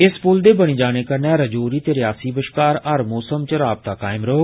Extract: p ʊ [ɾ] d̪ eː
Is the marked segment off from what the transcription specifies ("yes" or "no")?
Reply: yes